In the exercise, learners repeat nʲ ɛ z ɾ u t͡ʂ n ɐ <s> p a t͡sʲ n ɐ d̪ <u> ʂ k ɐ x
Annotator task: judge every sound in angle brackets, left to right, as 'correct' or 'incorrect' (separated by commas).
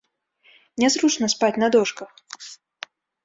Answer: correct, incorrect